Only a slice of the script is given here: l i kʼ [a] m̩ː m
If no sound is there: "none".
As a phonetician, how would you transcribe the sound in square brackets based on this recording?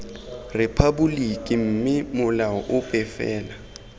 i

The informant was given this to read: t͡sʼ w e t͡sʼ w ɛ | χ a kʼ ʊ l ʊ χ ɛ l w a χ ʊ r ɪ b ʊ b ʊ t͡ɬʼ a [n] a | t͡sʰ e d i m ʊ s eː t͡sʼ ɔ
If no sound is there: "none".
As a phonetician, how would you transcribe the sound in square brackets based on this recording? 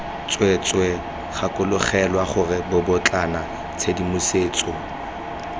n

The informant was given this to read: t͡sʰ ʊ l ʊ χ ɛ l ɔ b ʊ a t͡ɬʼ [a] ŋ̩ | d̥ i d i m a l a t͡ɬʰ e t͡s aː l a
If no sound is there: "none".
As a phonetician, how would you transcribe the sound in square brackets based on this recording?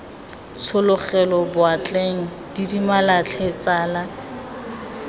e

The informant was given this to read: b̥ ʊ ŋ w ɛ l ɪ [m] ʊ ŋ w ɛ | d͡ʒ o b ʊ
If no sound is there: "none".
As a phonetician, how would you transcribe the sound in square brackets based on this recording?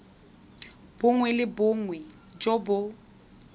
b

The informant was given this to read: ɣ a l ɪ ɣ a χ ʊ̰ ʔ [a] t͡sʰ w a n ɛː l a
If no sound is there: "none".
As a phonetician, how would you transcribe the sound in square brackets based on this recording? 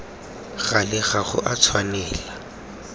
a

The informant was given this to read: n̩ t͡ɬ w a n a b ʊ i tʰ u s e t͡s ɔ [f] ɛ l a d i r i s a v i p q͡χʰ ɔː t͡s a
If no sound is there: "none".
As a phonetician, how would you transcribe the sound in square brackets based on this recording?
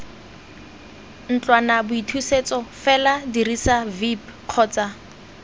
f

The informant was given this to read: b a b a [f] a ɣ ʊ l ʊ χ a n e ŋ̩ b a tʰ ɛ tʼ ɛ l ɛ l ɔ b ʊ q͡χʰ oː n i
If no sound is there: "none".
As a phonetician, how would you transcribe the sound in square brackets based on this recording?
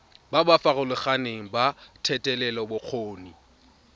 f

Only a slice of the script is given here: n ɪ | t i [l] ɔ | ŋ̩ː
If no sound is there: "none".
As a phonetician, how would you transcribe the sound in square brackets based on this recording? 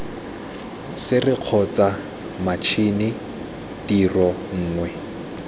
r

